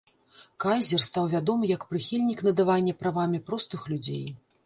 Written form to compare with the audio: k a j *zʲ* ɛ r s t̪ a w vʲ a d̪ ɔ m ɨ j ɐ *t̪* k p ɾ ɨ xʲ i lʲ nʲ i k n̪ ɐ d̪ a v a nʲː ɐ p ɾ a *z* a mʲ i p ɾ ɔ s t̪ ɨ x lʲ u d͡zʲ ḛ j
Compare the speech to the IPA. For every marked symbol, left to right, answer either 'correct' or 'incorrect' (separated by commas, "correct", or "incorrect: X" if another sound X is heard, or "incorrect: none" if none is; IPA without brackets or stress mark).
correct, incorrect: none, incorrect: v